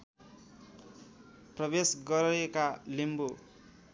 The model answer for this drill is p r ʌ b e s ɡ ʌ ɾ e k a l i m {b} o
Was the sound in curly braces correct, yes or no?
yes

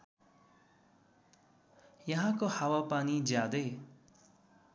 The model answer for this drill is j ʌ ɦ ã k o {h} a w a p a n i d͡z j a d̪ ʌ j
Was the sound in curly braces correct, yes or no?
yes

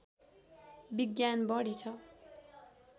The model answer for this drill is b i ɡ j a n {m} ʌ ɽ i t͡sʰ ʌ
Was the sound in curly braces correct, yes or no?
no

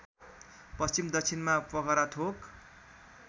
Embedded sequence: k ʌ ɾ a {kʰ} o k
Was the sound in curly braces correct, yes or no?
no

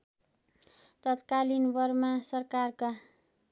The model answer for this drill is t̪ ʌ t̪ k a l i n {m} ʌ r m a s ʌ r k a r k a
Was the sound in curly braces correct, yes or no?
no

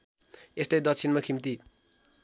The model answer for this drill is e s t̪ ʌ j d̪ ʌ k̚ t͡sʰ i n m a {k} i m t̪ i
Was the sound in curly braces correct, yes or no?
no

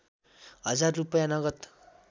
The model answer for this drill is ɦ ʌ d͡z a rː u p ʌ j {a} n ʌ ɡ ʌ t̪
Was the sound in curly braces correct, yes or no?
yes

